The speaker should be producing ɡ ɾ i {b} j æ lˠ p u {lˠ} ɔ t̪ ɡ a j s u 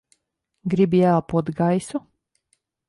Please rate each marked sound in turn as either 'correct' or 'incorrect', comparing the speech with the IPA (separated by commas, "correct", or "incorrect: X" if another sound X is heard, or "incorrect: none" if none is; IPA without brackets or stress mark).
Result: correct, incorrect: none